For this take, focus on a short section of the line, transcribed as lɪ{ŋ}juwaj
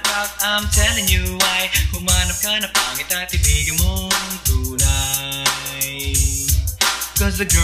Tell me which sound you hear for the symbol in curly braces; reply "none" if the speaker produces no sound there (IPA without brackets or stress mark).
ŋ